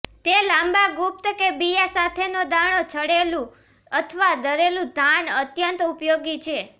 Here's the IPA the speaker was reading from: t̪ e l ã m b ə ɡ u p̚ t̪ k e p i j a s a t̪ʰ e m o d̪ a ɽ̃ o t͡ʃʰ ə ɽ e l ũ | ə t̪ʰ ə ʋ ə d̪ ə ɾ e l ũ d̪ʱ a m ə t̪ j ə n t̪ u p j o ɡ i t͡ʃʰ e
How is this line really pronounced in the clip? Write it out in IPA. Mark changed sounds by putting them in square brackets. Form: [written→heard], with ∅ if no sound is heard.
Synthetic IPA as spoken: t̪ e l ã m b [ə→a] ɡ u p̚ t̪ k e [p→b] i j a s a t̪ʰ e [m→n] o d̪ a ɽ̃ o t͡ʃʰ ə ɽ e l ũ | ə t̪ʰ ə ʋ [ə→a] d̪ ə ɾ e l ũ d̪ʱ a [m→n] ə t̪ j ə n t̪ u p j o ɡ i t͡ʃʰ e